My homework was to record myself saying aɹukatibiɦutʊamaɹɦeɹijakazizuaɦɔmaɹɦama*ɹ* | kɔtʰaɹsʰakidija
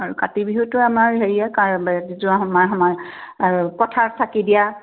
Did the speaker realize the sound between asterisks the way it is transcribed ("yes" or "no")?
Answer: yes